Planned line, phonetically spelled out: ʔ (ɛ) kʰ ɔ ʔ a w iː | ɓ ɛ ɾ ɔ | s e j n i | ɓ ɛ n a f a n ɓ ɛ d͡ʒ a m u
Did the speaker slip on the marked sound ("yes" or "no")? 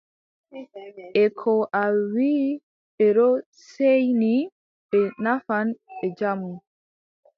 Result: no